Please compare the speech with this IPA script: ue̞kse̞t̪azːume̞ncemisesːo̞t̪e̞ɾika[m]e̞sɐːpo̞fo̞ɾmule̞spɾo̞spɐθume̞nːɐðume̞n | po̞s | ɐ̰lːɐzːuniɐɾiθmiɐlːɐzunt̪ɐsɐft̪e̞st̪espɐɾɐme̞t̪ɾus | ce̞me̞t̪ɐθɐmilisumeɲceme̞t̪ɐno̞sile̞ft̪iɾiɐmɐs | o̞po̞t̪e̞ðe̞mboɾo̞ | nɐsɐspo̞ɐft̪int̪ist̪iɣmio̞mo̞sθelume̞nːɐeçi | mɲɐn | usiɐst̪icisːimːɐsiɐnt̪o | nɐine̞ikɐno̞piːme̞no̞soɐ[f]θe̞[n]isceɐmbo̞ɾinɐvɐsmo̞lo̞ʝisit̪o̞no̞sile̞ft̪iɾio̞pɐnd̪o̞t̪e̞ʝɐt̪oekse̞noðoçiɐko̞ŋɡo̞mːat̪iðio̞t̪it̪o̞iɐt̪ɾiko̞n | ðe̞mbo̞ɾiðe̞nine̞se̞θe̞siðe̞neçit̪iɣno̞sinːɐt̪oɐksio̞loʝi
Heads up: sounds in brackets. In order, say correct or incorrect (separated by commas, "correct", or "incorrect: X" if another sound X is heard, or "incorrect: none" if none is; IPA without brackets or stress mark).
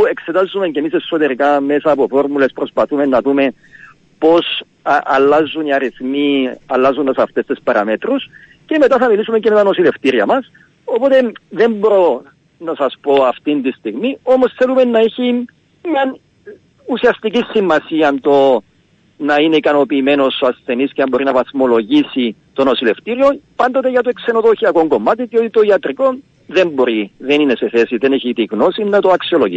correct, incorrect: s, correct